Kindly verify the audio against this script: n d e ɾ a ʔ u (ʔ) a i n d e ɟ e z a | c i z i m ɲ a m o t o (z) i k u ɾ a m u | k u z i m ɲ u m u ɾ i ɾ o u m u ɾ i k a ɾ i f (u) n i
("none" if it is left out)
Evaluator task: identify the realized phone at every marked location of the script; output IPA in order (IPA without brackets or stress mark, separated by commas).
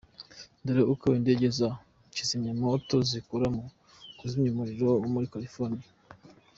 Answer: k, z, o